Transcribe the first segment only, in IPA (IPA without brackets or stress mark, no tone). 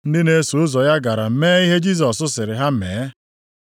n̩